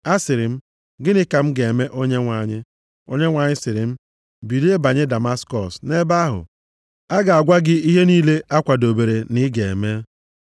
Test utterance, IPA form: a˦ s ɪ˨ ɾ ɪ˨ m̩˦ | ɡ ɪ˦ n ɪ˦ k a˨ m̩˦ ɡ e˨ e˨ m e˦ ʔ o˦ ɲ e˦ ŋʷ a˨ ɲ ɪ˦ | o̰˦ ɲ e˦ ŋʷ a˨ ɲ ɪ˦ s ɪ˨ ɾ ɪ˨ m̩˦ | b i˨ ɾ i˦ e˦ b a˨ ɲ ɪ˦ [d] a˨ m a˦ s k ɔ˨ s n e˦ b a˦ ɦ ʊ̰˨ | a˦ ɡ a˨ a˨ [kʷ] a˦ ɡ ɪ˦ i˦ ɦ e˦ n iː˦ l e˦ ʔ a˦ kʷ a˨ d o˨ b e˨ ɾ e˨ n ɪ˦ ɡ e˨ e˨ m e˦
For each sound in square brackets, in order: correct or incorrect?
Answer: correct, incorrect

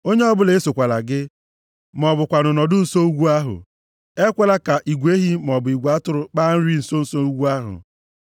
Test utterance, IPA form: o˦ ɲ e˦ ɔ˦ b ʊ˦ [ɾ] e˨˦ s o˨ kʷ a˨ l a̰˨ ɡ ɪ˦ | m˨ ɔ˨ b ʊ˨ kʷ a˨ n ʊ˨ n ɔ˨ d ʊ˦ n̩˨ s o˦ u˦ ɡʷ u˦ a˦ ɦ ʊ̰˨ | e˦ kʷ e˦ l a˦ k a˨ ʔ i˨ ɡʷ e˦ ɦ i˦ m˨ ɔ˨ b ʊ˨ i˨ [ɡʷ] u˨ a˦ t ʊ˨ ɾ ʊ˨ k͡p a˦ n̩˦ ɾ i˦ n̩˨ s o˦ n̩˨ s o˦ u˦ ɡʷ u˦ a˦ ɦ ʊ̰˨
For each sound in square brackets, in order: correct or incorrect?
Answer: incorrect, correct

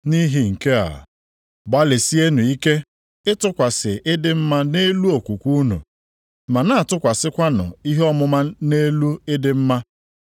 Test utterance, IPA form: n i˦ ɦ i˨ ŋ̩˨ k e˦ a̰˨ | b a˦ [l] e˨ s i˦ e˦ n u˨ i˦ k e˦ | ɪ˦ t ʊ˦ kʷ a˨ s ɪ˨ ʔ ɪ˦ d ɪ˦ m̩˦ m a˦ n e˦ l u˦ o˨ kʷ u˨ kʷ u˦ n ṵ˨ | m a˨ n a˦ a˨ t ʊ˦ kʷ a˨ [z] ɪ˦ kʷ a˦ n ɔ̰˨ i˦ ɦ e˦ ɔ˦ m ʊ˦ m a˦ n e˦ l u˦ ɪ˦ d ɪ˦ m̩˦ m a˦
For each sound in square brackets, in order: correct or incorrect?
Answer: correct, incorrect

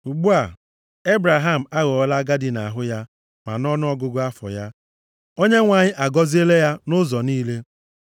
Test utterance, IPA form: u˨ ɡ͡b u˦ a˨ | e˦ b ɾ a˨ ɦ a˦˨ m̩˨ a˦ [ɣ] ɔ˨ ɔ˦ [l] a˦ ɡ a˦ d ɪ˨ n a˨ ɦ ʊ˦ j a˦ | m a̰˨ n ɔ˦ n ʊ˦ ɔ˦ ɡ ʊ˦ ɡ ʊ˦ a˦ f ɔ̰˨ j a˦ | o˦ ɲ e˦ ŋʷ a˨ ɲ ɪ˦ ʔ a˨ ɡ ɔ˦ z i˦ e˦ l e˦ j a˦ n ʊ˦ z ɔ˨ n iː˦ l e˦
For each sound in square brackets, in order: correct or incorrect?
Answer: correct, correct

